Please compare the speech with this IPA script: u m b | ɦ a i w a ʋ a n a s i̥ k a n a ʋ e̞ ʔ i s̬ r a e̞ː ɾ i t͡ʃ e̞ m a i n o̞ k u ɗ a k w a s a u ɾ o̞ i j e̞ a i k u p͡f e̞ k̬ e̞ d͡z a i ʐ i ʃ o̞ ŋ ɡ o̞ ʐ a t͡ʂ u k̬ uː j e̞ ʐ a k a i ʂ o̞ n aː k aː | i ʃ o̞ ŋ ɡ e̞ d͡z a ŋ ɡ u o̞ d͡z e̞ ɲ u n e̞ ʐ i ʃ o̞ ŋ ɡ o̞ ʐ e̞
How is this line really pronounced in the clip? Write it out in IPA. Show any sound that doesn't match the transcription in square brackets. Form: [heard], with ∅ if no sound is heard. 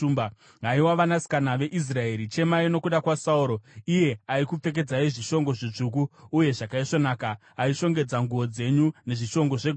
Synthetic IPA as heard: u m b | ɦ a i w a ʋ a n a s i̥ k a n a ʋ e̞ ʔ i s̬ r a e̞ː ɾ i t͡ʃ e̞ m a i n o̞ k u ɗ a k w a s a u ɾ o̞ i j e̞ a i k u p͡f e̞ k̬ e̞ d͡z a i ʐ i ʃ o̞ ŋ ɡ o̞ ʐ [i] t͡ʂ u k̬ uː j e̞ ʐ a k a i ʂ o̞ n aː k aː | i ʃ o̞ ŋ ɡ e̞ d͡z a ŋ ɡ u o̞ d͡z e̞ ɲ u n e̞ ʐ i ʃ o̞ ŋ ɡ o̞ ʐ e̞